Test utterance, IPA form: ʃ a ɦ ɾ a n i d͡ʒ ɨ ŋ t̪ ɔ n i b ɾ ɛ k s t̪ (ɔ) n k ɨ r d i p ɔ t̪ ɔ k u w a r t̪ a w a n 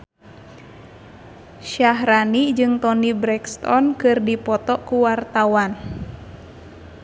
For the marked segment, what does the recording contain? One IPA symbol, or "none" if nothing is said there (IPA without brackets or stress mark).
ɔ